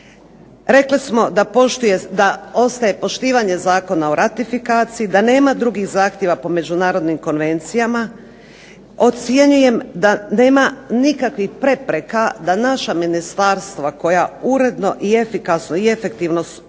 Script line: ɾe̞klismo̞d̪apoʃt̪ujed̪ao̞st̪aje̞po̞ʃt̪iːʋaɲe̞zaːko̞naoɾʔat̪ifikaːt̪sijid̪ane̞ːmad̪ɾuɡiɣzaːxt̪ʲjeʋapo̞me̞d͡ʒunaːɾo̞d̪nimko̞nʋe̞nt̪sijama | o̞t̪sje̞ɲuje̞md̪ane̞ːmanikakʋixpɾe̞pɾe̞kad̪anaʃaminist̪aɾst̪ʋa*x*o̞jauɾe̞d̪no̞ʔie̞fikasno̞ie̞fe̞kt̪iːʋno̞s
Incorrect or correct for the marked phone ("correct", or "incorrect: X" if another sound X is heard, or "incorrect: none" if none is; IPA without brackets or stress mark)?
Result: incorrect: k